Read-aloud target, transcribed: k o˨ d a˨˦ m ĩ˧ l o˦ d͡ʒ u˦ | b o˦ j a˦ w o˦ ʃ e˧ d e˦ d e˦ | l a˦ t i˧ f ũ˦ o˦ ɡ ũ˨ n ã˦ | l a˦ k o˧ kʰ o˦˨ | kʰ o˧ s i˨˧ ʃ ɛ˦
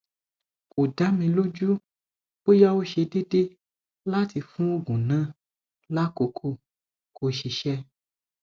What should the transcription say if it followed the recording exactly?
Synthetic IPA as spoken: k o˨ d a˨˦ m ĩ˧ l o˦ d͡ʒ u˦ | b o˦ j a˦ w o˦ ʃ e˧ d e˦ d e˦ | l a˦ t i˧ f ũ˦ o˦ ɡ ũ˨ n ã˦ | l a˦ k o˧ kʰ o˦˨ | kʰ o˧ ʃ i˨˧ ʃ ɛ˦

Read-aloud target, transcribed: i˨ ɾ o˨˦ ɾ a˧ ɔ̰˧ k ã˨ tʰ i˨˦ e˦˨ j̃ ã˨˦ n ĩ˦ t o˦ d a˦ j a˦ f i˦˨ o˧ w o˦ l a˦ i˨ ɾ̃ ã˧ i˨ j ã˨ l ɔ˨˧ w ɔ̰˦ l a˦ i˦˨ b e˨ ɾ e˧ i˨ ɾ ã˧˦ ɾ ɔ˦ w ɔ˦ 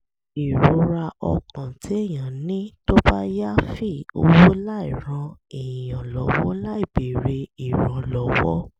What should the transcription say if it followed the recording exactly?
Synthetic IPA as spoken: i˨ ɾ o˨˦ ɾ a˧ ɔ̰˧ k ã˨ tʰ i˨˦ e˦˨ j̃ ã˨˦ n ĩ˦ t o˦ b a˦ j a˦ f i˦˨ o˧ w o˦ l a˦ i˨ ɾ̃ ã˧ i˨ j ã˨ l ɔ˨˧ w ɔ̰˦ l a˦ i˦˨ b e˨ ɾ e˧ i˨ ɾ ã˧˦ l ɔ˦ w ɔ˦

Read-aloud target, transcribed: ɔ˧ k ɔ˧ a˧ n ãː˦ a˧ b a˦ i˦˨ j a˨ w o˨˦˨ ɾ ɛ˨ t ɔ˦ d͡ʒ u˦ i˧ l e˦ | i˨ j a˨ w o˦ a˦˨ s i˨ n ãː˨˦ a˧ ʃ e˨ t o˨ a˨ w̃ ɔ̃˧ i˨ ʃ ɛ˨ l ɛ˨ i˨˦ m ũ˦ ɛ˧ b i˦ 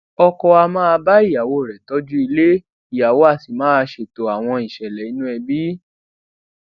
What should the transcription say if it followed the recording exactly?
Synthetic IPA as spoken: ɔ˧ k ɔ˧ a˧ m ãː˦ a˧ b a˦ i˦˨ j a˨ w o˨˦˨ ɾ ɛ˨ t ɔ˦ d͡ʒ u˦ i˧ l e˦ | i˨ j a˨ w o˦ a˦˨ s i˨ m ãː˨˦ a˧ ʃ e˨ t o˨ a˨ w̃ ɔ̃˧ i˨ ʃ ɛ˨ l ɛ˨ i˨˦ n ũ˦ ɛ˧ b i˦

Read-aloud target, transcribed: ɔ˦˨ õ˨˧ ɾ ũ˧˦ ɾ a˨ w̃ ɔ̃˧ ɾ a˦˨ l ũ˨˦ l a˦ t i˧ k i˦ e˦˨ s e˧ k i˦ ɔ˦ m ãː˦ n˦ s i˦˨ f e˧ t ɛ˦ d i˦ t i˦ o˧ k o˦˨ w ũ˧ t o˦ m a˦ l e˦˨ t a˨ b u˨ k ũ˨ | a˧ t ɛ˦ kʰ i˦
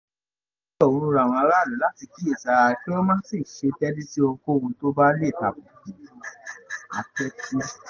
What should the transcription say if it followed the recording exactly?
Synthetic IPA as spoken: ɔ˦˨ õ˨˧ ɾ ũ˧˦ ɾ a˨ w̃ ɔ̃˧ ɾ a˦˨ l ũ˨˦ l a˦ t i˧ k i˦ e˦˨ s a˧ k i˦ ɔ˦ m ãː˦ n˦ s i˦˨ ʃ e˧ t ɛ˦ d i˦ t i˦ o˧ k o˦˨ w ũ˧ t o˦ b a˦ l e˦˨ t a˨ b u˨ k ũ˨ | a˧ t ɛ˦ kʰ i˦

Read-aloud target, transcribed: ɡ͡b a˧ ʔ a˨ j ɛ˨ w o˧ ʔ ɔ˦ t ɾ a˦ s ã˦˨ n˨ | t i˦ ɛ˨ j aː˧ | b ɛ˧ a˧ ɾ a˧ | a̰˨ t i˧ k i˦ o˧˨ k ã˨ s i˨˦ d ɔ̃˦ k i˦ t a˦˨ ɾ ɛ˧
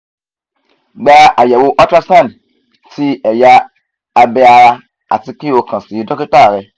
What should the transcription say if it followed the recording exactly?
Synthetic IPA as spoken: ɡ͡b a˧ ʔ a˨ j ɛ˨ w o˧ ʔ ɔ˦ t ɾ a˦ s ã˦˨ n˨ | t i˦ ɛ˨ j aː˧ | b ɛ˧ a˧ ɾ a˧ | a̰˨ t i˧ k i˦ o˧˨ k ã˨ s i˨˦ d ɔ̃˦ k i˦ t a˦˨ ɾ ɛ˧

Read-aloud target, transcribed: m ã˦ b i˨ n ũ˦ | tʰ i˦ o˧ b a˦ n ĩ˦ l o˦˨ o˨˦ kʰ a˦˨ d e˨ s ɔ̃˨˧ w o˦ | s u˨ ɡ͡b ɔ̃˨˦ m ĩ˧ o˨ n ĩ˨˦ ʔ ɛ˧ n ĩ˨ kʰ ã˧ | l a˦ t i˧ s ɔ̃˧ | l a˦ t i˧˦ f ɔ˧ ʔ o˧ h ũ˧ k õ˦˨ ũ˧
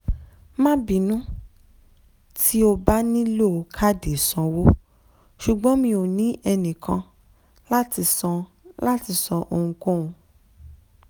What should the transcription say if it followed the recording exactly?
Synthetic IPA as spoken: m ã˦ b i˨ n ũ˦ | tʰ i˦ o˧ b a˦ n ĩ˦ l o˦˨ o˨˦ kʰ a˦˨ d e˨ s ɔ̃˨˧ w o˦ | ʃ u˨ ɡ͡b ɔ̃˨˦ m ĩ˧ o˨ n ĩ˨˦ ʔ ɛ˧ n ĩ˨ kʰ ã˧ | l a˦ t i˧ s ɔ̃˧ | l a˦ t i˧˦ s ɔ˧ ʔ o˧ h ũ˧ k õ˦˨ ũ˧

